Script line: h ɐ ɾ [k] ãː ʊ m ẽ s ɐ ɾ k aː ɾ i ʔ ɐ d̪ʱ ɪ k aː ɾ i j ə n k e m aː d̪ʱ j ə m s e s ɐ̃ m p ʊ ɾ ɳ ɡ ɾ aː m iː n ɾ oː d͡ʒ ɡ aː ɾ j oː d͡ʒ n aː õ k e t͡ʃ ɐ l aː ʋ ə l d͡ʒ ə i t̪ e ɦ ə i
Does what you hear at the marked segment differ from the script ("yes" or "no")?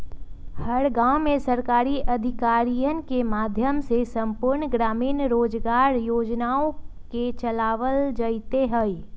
yes